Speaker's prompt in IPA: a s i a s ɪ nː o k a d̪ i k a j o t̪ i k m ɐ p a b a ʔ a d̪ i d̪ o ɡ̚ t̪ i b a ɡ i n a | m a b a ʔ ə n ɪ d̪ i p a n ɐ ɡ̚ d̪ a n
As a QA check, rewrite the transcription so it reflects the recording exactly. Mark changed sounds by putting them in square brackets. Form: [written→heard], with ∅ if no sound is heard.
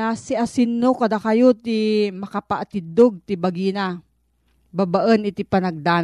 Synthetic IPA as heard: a s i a s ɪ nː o k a d̪ [i→a] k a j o t̪ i [k→∅] m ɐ [p→k] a [b→p] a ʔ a [d̪→t̪] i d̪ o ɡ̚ t̪ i b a ɡ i n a | [m→b] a b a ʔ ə n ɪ [d̪→t̪] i p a n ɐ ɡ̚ d̪ a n